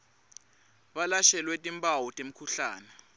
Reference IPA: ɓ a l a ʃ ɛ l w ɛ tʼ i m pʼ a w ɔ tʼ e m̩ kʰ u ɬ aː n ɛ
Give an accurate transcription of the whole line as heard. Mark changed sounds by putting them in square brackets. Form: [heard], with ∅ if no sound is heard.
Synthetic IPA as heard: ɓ a l a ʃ ɛ l w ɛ tʼ i m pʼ a w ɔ tʼ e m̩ kʰ u ɬ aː n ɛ